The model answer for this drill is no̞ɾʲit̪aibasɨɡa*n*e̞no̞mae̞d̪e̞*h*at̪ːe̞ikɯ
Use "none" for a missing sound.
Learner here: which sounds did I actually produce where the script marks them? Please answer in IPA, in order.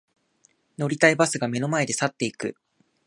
m, s

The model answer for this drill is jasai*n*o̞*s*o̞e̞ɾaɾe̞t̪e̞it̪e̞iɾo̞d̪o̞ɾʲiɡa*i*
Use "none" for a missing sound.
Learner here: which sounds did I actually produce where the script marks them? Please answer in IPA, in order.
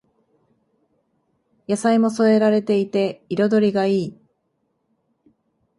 m, s, iː

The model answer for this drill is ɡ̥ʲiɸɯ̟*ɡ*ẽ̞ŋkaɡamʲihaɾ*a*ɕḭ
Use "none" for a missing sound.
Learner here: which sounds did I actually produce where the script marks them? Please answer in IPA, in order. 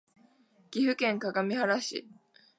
k, a

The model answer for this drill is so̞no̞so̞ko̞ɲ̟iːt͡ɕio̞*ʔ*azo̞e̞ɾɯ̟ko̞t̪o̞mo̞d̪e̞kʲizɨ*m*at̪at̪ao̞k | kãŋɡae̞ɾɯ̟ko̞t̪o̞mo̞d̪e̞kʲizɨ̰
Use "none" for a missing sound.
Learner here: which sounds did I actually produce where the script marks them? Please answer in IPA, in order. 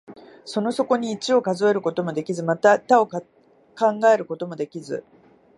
k, m

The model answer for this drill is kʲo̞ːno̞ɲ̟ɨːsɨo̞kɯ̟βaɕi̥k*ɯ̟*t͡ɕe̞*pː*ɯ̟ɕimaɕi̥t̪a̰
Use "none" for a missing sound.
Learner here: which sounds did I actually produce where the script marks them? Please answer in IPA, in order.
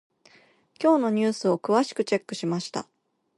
ɯ̟, kː

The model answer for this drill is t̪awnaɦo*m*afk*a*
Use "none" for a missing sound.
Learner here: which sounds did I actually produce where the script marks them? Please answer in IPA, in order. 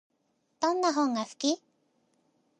ŋ, i

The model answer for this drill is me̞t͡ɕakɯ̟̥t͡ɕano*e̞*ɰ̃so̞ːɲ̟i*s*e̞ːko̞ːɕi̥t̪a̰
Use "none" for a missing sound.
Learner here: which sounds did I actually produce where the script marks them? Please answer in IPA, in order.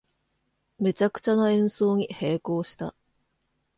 ẽ̞, h

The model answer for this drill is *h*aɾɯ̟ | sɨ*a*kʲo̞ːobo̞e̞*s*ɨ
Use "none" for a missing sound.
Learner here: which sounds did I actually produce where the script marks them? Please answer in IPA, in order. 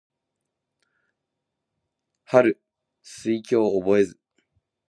h, i, z

